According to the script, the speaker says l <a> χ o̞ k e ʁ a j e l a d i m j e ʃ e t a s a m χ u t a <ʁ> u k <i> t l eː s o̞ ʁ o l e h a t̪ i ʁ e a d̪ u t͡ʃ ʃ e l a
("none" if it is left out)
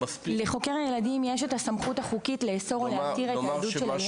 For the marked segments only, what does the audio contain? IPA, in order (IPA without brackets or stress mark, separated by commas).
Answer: e, χ, i